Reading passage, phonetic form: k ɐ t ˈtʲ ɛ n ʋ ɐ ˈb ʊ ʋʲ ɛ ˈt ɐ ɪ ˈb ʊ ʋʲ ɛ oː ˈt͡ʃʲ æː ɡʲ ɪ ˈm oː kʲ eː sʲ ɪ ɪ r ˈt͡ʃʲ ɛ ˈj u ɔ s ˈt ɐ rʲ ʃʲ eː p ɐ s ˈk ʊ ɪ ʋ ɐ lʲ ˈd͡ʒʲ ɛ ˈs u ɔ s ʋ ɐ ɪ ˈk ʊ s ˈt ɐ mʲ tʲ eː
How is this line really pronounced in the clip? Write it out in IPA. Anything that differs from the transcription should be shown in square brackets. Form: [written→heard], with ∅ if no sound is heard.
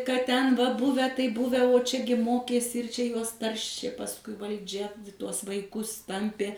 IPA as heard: k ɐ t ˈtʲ ɛ n ʋ ɐ ˈb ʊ ʋʲ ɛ ˈt ɐ ɪ ˈb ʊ ʋʲ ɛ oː ˈt͡ʃʲ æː ɡʲ ɪ ˈm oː kʲ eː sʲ ɪ ɪ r ˈt͡ʃʲ ɛ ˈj u ɔ s ˈt ɐ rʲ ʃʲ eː p ɐ s ˈk ʊ ɪ ʋ ɐ lʲ ˈd͡ʒʲ ɛ [ˈs→ˈt] u ɔ s ʋ ɐ ɪ ˈk ʊ s ˈt ɐ mʲ [tʲ→pʲ] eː